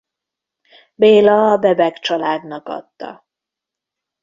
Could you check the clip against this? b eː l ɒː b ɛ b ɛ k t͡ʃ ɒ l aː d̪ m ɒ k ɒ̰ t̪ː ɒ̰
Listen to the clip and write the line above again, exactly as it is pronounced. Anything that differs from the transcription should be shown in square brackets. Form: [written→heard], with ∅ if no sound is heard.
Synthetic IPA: b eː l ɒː b ɛ b ɛ k t͡ʃ ɒ l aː d̪ [m→n] ɒ k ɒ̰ t̪ː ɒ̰